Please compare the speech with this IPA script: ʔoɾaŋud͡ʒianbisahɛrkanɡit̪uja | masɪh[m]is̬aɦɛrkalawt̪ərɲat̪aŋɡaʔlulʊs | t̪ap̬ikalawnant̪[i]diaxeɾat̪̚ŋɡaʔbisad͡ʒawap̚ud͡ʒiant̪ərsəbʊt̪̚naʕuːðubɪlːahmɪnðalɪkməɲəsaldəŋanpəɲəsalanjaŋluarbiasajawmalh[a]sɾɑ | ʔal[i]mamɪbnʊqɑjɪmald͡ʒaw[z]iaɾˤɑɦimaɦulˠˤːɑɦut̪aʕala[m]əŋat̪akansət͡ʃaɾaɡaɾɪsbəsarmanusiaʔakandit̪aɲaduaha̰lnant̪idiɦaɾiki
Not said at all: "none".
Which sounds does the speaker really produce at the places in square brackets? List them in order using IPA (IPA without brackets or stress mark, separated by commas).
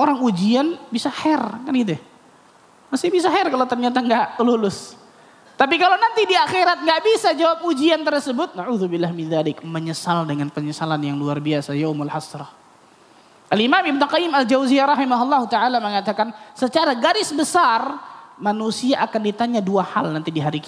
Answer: b, i, a, i, z, m